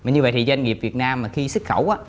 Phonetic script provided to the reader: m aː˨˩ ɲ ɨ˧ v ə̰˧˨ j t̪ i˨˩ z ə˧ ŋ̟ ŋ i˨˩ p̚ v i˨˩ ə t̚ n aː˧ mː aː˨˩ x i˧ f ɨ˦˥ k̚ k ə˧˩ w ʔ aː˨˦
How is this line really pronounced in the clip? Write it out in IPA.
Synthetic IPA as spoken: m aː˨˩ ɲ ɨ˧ v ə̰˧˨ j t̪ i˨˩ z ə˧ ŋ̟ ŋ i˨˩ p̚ v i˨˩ ə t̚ n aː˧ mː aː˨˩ x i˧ s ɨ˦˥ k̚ x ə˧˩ w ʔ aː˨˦

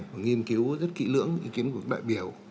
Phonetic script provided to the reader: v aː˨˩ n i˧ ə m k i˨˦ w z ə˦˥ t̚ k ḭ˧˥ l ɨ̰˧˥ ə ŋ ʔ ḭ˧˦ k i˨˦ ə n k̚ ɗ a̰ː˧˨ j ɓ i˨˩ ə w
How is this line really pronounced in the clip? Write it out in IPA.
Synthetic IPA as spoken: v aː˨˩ ŋ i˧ ə m k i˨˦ w z ə˦˥ t̚ k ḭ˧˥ l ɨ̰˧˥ ə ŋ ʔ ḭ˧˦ k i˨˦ ə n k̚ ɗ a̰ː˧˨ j ɓ i˨˩ ə w

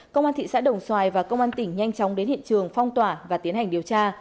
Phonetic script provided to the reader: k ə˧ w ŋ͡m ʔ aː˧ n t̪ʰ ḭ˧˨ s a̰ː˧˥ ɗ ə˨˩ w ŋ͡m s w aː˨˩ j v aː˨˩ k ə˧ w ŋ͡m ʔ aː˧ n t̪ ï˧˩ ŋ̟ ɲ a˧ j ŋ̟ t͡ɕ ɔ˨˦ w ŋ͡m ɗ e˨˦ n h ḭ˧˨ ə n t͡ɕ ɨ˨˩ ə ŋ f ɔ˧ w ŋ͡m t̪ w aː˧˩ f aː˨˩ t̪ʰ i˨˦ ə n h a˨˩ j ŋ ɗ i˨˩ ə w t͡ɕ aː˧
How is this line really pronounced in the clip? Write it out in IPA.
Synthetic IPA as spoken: k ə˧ w ŋ͡m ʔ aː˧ n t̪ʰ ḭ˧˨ s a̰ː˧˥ ɗ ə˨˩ w ŋ͡m s w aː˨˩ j v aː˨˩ k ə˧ w ŋ͡m ʔ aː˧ n t̪ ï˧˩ ŋ̟ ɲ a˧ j ŋ̟ t͡ɕ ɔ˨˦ w ŋ͡m ɗ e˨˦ n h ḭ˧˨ ə n t͡ɕ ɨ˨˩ ə ŋ f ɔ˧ w ŋ͡m t̪ w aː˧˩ v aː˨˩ t̪ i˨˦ ə n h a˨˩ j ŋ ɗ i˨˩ ə w t͡ɕ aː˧

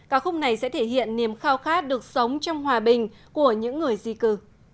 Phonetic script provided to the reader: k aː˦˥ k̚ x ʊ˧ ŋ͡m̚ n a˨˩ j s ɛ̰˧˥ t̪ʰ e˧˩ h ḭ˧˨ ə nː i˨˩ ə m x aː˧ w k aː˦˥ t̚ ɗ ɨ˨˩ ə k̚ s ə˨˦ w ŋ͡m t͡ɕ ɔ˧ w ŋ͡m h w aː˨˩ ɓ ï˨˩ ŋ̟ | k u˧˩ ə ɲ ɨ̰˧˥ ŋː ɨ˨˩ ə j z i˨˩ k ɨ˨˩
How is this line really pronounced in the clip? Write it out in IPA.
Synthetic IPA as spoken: k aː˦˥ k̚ x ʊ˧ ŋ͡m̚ n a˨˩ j s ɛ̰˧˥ t̪ʰ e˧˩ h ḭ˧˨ ə nː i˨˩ ə m x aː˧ w x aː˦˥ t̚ ɗ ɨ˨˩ ə k̚ s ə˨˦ w ŋ͡m t͡ɕ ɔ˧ w ŋ͡m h w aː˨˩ ɓ ï˨˩ ŋ̟ | k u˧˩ ə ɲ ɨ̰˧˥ ŋː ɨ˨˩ ə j z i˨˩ k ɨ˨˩

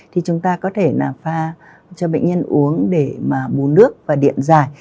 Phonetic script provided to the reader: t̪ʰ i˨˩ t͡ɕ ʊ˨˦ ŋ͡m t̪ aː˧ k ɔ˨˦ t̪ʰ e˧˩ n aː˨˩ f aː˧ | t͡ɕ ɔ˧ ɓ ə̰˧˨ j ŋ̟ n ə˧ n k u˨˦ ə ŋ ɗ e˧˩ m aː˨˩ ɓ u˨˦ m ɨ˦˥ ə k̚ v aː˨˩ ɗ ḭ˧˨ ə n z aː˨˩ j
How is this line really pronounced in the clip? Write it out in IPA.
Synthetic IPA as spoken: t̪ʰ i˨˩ t͡ɕ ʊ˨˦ ŋ͡m t̪ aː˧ k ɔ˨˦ t̪ʰ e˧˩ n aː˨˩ f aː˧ | t͡ɕ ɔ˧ ɓ ə̰˧˨ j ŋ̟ ɲ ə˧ n ʔ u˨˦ ə ŋ ɗ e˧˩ m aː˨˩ ɓ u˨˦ n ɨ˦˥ ə k̚ v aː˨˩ ɗ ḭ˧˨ ə n z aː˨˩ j

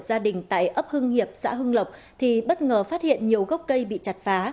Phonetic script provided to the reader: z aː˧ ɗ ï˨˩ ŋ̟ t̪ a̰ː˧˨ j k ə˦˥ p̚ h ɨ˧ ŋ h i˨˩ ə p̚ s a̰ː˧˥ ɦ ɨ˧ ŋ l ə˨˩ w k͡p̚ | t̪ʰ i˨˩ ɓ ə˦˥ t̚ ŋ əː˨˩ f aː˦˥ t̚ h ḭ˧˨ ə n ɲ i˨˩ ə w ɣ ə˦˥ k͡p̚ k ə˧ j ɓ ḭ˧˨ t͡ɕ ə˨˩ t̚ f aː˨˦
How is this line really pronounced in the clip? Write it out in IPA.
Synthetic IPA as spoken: z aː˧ ɗ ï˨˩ ŋ̟ t̪ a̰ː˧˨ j ʔ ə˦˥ p̚ h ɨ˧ ŋ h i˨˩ ə p̚ s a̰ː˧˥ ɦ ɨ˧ ŋ l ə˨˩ w k͡p̚ | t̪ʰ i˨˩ ɓ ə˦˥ t̚ ŋ əː˨˩ f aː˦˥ t̚ h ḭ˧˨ ə n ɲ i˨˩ ə w ɣ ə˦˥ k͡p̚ k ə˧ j ɓ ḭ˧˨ t͡ɕ a˨˩ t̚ f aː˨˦

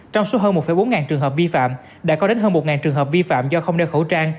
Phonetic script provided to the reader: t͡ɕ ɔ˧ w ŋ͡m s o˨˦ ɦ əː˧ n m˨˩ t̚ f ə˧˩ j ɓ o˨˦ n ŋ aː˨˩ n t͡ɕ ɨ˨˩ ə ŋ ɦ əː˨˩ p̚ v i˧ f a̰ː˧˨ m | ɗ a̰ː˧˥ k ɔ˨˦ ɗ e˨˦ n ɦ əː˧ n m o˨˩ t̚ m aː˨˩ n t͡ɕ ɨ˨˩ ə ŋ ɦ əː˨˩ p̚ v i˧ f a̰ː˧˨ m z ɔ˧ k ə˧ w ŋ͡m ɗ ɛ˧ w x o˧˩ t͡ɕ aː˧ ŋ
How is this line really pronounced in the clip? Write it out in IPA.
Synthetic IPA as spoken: t͡ɕ ɔ˧ w ŋ͡m s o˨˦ ɦ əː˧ n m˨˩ t̚ f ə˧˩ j ɓ o˨˦ n ŋ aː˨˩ n t͡ɕ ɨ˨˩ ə ŋ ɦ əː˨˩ p̚ v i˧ f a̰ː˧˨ m | ɗ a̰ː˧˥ k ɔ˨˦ ɗ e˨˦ n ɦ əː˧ n m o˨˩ t̚ ŋ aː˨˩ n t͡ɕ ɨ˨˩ ə ŋ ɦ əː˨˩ p̚ v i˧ f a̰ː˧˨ m z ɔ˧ x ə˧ w ŋ͡m ɗ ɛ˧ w x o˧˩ t͡ɕ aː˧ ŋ

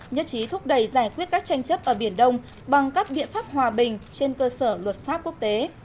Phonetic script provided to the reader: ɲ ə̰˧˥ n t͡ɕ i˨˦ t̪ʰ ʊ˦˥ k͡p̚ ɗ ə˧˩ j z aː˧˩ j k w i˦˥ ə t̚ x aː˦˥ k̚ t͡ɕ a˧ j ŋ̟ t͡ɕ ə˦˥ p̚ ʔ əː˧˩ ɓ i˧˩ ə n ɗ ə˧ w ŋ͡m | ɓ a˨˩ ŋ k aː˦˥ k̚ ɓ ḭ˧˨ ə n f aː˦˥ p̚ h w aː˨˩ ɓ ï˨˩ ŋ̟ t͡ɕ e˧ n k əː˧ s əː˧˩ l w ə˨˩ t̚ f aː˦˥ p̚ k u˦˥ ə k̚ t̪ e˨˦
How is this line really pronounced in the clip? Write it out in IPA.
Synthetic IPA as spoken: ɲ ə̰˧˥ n t͡ɕ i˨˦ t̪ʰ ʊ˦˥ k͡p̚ ɗ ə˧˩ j z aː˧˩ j k w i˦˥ ə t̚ k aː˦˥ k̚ t͡ɕ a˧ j ŋ̟ t͡ɕ ə˦˥ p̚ ʔ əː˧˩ ɓ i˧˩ ə n ɗ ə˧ w ŋ͡m | ɓ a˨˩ ŋ k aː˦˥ k̚ ɓ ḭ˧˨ ə n f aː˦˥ p̚ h w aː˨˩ ɓ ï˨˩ ŋ̟ t͡ɕ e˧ n k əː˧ s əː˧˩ l w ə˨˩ t̚ f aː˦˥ p̚ k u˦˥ ə k̚ t̪ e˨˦

